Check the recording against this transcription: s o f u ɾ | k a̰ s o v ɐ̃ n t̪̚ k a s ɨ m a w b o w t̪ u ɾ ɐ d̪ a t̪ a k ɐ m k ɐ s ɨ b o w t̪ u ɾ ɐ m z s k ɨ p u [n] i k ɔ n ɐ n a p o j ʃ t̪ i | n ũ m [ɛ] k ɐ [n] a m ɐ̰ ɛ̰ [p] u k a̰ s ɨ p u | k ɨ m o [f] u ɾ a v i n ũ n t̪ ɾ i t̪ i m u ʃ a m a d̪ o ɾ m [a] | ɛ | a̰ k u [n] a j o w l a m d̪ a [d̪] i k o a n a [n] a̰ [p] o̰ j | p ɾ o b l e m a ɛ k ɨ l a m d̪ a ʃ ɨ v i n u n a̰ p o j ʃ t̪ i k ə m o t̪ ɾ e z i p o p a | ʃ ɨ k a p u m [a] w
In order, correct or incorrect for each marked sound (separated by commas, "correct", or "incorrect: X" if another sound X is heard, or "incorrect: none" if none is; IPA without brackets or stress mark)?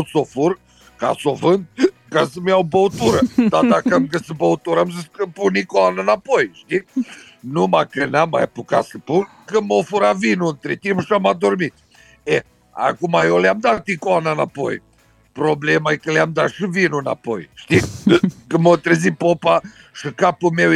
correct, incorrect: a, correct, correct, correct, incorrect: i, incorrect: m, incorrect: t̪, correct, correct, incorrect: e